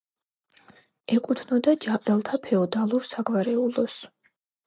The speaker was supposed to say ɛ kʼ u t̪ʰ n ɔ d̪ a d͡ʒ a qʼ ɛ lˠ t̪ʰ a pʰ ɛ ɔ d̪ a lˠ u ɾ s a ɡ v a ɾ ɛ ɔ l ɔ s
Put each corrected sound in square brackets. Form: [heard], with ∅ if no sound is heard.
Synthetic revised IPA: ɛ kʼ u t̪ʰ n ɔ d̪ a d͡ʒ a qʼ ɛ lˠ t̪ʰ a pʰ ɛ ɔ d̪ a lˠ u ɾ s a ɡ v a ɾ ɛ [u] l ɔ s